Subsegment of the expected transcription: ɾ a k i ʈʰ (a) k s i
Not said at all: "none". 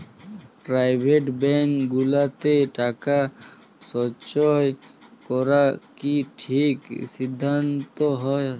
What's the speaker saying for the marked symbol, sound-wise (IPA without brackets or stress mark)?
i